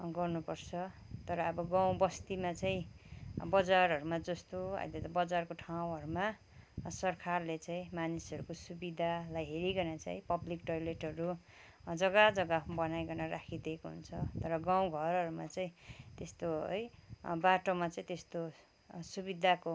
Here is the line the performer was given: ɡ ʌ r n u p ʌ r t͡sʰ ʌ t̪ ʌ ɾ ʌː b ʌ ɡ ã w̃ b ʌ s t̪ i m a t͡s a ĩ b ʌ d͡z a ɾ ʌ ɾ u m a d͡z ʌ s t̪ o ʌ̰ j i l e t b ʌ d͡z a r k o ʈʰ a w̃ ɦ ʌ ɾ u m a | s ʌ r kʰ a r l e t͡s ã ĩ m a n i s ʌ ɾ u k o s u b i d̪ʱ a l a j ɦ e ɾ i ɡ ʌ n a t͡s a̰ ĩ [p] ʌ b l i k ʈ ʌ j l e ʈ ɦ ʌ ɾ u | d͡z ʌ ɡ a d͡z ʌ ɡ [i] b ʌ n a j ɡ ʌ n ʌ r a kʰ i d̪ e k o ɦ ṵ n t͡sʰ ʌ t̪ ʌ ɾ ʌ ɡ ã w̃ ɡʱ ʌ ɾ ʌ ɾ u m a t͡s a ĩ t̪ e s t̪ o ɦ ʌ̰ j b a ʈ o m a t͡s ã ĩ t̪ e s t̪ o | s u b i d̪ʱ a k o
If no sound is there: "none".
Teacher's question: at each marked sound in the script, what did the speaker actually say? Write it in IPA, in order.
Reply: p, a

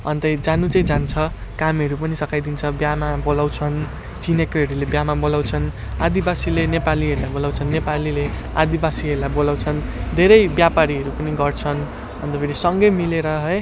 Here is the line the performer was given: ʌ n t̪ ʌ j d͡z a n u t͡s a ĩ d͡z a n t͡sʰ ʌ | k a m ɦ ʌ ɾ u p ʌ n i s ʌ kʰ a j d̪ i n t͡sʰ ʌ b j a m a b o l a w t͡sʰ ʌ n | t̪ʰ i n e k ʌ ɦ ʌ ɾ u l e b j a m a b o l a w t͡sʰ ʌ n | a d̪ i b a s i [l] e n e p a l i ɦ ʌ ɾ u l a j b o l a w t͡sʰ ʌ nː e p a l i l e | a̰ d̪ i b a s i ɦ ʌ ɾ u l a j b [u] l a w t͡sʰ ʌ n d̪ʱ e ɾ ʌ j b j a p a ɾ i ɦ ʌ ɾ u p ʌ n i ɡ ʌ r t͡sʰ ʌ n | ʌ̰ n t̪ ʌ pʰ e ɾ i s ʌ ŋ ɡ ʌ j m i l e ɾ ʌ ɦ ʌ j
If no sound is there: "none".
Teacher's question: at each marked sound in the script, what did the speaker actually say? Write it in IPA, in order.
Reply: l, o

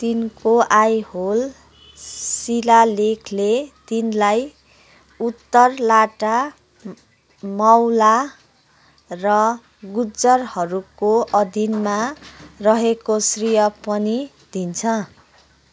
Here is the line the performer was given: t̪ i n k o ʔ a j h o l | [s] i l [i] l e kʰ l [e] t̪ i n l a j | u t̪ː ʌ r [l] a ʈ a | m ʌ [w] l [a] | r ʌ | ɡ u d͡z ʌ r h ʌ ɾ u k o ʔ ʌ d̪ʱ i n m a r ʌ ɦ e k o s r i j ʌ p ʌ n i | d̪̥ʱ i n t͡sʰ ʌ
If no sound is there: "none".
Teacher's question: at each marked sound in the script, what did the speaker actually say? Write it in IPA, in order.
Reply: s, a, e, l, w, a

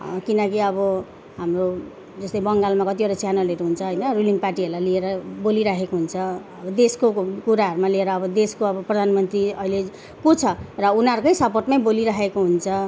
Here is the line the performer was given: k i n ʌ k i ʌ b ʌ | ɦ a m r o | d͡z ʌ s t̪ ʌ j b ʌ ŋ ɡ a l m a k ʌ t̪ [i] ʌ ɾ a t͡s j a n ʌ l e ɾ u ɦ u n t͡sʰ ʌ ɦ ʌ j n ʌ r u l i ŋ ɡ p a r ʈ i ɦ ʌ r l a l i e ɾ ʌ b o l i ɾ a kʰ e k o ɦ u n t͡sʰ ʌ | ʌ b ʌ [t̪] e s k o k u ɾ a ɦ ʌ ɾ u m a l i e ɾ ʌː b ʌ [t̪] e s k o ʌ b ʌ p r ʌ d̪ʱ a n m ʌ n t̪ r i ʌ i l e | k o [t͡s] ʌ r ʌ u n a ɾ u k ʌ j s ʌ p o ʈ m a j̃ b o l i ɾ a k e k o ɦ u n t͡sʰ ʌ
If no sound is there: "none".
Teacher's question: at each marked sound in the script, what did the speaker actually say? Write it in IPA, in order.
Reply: i, d̪, d̪, t͡sʰ

